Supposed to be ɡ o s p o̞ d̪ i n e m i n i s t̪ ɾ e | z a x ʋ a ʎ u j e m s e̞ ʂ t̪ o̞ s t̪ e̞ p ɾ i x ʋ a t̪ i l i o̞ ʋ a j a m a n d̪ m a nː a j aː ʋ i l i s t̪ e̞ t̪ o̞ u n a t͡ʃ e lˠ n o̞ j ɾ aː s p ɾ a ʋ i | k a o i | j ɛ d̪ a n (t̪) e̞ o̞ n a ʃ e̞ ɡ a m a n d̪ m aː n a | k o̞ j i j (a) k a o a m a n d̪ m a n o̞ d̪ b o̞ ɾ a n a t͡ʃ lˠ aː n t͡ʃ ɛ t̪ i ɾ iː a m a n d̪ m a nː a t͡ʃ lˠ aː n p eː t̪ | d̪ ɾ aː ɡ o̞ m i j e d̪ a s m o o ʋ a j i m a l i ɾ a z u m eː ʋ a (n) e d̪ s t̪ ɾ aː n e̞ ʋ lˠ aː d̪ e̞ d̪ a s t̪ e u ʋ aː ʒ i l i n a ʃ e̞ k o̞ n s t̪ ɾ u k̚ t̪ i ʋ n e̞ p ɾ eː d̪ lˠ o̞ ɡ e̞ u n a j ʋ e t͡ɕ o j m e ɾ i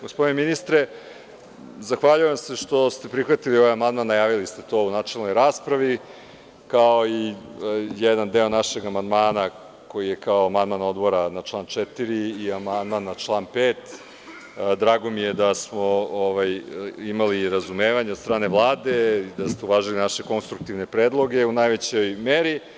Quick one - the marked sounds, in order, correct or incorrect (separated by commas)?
incorrect, incorrect, incorrect